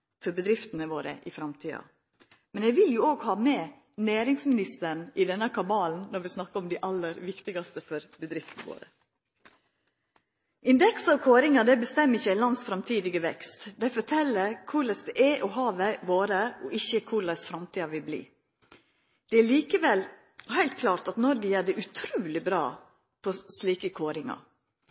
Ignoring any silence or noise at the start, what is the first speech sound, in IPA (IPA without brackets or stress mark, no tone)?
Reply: f